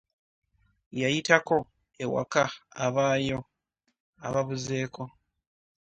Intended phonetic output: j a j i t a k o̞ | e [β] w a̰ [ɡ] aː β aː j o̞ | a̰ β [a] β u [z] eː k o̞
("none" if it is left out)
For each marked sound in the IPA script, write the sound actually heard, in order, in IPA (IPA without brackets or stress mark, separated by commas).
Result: none, k, a, z